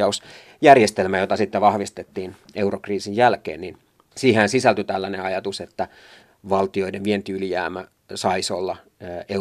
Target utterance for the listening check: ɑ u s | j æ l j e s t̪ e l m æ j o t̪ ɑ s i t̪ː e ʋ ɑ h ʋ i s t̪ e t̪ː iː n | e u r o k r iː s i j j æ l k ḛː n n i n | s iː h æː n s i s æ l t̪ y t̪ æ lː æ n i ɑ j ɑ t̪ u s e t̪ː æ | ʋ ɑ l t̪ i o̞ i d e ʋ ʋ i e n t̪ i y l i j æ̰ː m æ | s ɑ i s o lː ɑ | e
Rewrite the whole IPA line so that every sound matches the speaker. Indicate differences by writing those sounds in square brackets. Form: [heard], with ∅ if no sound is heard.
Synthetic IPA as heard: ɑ u s | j æ [r] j e s t̪ e l m æ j o t̪ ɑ s i t̪ː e ʋ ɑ h ʋ i s t̪ e t̪ː iː n | e u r o k r iː s i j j æ l k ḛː n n i n | s iː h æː n s i s æ l t̪ y t̪ æ lː æ n [e] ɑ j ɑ t̪ u s e t̪ː æ | ʋ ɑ l t̪ i o̞ i d e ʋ ʋ i e n t̪ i y l i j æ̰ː m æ | s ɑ i s o lː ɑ | e